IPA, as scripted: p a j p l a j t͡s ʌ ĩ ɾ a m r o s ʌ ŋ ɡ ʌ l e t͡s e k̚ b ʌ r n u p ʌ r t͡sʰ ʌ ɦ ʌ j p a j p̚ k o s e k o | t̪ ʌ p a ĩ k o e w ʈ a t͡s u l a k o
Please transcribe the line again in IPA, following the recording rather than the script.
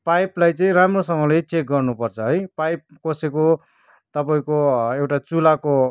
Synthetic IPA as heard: p a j p l a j t͡s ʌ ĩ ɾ a m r o s ʌ ŋ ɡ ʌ l e t͡s e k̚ ɡ ʌ r n u p ʌ r t͡sʰ ʌ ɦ ʌ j p a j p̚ k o s e k o | t̪ ʌ p a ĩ k o e w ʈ a t͡s u l a k o